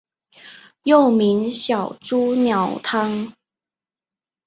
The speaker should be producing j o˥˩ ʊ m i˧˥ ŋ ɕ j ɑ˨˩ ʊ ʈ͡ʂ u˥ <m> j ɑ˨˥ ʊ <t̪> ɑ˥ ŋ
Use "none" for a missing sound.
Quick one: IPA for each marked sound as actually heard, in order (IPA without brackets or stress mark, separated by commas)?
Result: n, t̪ʰ